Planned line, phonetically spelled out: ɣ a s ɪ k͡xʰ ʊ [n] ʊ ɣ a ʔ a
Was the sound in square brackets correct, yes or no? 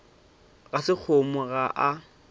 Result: no